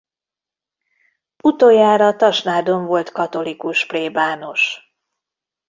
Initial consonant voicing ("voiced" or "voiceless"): voiceless